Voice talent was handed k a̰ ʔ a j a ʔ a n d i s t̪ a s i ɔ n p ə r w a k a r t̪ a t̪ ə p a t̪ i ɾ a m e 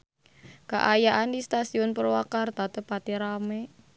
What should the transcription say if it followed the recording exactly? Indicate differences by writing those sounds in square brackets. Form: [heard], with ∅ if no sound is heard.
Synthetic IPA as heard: k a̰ ʔ a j a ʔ a n d i s t̪ a s i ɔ n p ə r w a k a r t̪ a t̪ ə p a t̪ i ɾ a m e